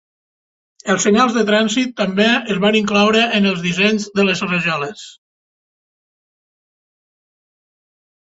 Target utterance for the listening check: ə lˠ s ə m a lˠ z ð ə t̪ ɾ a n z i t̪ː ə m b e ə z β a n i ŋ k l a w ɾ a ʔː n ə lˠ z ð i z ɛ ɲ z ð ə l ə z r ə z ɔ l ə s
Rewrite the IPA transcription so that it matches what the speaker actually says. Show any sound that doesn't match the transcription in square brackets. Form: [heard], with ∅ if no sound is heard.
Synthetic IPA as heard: ə lˠ s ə [ɲ] a lˠ z ð ə t̪ ɾ a n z i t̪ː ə m b e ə z β a n i ŋ k l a w ɾ [ə] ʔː n ə lˠ z ð i z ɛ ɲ z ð ə l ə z r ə [ʒ] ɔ l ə s